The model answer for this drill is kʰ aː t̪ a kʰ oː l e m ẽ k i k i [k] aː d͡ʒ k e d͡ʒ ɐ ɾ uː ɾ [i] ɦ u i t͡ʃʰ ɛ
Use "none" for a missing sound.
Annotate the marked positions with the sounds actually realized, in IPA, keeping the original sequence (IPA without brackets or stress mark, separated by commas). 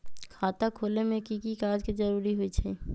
k, i